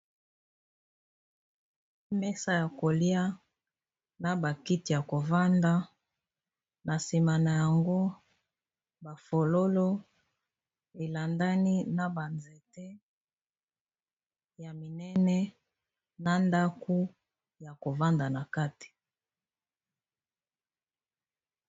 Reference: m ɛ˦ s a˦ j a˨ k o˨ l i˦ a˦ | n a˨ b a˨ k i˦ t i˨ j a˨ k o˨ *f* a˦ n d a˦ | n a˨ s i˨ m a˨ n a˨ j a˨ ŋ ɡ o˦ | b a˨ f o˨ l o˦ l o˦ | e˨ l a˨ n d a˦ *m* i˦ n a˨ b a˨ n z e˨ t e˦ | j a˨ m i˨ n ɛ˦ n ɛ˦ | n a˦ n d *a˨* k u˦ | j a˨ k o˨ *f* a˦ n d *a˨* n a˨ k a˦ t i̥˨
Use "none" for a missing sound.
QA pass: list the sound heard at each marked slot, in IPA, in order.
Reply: v, n, a˦, v, a˨

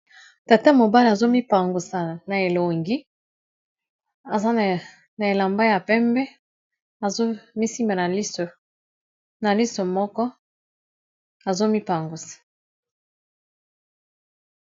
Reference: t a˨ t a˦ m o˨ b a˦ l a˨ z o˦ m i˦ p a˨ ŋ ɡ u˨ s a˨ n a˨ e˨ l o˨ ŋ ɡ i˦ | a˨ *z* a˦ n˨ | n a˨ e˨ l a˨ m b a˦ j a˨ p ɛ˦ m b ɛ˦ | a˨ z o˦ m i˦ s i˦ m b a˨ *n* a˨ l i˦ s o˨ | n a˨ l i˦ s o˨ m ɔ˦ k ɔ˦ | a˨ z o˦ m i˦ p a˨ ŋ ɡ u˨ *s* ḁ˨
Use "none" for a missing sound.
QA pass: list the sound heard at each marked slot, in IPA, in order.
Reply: z, n, s

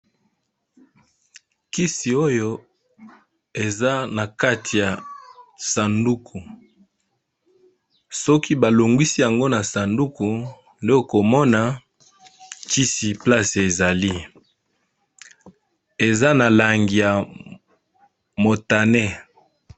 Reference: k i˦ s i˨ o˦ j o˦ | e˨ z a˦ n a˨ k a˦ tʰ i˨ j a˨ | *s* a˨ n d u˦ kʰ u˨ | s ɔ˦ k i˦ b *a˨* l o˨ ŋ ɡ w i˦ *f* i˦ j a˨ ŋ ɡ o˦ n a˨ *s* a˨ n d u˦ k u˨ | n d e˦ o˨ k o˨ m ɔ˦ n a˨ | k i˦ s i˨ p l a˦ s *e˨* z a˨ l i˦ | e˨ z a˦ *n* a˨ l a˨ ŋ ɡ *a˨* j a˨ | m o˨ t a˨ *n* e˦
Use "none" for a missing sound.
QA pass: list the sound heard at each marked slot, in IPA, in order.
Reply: s, a˨, s, s, e˨, n, i˨, n

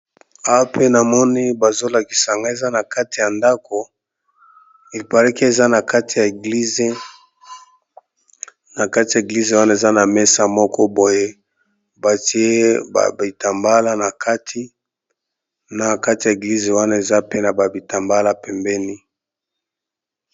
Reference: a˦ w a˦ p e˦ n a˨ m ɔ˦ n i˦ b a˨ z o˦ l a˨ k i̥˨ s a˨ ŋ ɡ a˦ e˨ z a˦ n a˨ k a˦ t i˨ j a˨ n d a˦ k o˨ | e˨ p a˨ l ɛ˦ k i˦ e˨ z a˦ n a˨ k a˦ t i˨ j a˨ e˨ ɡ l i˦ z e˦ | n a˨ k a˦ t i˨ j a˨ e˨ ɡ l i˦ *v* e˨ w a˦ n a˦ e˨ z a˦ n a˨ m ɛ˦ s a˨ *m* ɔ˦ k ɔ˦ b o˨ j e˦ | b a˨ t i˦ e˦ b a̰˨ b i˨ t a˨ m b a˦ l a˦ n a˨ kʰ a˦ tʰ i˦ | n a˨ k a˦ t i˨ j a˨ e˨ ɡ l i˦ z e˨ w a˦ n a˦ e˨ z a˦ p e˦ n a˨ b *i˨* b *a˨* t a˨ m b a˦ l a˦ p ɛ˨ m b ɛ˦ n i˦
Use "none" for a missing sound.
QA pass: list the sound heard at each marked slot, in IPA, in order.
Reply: z, m, a˨, i˨

